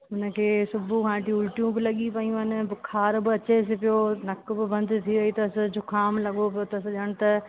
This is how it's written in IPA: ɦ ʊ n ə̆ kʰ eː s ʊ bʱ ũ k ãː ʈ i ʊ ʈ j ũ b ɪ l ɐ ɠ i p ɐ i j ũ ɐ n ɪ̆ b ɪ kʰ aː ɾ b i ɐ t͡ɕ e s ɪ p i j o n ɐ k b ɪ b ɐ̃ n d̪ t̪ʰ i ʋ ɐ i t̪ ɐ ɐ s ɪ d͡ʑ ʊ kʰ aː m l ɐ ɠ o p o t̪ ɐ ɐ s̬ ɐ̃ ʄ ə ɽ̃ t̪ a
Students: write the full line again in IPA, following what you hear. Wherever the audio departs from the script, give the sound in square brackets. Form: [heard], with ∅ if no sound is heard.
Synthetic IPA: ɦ ʊ n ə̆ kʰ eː s ʊ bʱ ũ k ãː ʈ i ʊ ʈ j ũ b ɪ l ɐ ɠ i p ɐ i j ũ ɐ n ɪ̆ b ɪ kʰ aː ɾ b [ɪ] ɐ t͡ɕ e s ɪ p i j o n ɐ k b ɪ b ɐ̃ n d̪ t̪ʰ i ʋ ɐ i t̪ ɐ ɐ s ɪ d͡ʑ ʊ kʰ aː m l ɐ ɠ o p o t̪ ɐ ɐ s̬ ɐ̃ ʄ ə ɽ̃ t̪ [ɐ]